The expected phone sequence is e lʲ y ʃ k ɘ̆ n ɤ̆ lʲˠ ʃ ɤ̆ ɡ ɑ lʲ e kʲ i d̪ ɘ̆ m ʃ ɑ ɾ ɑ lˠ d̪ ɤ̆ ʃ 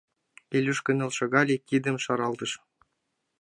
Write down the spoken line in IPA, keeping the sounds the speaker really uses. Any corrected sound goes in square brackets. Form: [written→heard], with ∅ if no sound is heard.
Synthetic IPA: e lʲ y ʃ k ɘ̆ n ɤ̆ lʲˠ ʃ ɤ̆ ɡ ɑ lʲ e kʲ i d̪ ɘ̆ m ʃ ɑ ɾ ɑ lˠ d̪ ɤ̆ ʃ